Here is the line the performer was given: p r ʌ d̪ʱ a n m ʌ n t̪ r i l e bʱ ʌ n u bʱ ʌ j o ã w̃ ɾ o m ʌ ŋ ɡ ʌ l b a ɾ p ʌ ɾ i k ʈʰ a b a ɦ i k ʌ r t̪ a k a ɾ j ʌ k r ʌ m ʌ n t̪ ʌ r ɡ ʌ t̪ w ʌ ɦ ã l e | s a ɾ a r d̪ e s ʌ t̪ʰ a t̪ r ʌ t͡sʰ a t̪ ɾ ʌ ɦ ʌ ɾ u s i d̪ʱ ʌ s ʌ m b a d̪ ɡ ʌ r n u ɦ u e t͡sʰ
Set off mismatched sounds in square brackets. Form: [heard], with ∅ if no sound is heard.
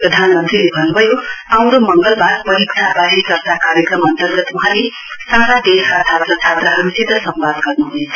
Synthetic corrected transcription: p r ʌ d̪ʱ a n m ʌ n t̪ r i l e bʱ ʌ n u bʱ ʌ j o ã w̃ ɾ o m ʌ ŋ ɡ ʌ l b a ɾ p ʌ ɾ i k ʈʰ a b a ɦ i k ʌ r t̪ a k a ɾ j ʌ k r ʌ m ʌ n t̪ ʌ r ɡ ʌ t̪ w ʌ ɦ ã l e | s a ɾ a [∅] d̪ e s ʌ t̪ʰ a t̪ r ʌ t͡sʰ a t̪ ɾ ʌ ɦ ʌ ɾ u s i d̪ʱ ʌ s ʌ m b a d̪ ɡ ʌ r n u ɦ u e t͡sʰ